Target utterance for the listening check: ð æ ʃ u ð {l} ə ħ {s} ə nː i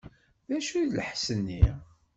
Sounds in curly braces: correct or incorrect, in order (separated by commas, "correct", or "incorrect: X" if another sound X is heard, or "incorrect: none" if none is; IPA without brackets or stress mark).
correct, correct